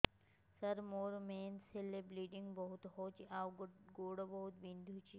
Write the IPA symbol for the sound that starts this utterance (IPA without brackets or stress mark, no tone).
s